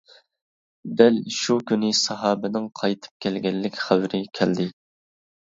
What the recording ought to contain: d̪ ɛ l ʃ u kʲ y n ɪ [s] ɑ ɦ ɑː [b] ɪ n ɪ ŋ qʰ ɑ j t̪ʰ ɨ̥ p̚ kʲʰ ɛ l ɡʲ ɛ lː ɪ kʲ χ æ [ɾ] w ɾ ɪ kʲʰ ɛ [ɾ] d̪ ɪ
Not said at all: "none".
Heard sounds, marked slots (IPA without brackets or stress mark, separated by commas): s, b, none, l